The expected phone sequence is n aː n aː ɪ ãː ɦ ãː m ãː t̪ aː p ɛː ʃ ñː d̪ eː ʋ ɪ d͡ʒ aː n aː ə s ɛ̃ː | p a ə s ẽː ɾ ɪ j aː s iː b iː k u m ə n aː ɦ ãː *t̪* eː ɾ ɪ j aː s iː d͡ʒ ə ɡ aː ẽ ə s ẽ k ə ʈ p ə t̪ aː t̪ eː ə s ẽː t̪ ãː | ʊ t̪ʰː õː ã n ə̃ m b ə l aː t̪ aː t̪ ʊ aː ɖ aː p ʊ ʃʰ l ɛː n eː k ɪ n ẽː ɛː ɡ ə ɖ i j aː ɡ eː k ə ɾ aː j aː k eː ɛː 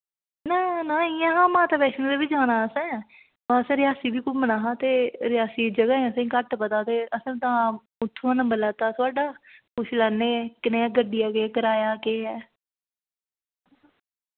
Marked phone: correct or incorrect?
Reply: correct